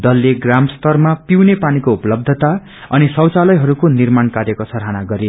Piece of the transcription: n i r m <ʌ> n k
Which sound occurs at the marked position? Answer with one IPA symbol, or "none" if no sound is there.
a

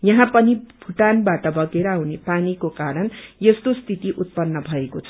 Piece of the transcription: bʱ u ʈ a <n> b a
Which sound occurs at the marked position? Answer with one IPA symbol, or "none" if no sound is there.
n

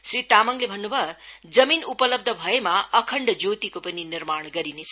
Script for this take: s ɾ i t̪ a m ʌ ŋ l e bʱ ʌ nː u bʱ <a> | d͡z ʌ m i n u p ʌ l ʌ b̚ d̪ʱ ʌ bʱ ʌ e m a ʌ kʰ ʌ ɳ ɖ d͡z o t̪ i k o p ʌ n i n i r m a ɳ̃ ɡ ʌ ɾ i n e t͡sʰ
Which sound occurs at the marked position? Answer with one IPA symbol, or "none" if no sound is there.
ʌ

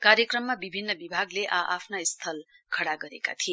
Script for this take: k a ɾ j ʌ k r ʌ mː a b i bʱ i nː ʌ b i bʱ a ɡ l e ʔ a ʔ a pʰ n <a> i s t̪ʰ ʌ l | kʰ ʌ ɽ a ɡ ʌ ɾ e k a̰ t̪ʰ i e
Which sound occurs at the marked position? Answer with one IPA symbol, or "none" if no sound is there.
a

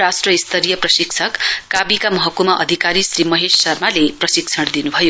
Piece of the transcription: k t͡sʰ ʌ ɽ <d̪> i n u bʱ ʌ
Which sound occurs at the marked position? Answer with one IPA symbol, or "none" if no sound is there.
d̪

